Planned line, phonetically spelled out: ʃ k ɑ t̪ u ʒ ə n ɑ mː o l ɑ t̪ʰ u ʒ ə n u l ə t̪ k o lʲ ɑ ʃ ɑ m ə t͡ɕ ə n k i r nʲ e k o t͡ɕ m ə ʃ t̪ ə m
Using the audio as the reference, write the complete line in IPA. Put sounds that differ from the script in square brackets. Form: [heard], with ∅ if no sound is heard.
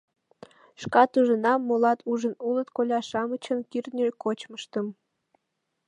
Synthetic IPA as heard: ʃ k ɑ t̪ u ʒ ə n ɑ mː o l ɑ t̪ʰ u ʒ ə n u l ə t̪ k o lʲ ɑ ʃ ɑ m ə t͡ɕ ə n k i r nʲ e k o t͡ɕ m ə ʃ t̪ ə m

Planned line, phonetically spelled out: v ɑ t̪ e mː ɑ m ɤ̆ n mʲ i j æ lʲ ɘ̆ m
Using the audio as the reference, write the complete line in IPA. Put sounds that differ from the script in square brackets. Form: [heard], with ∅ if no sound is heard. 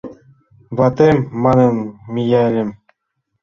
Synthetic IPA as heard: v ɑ t̪ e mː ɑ [n] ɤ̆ n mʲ i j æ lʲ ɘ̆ m

